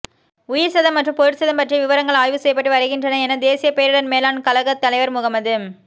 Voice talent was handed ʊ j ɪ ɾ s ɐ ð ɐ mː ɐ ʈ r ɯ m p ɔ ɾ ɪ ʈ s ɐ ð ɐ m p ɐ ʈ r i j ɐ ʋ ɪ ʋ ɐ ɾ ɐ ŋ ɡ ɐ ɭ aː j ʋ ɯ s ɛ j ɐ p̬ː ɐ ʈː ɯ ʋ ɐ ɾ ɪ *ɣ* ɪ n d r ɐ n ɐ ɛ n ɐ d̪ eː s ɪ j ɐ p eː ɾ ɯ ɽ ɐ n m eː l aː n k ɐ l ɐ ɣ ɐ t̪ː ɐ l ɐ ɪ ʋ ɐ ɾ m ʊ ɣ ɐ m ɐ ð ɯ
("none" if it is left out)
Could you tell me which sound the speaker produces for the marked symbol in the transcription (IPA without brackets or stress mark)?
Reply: ɣ